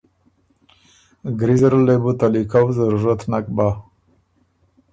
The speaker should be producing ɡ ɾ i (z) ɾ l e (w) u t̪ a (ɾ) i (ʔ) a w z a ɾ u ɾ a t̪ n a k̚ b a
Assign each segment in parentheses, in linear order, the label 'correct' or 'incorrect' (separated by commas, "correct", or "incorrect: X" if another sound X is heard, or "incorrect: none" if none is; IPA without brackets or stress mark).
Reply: correct, incorrect: b, incorrect: l, incorrect: k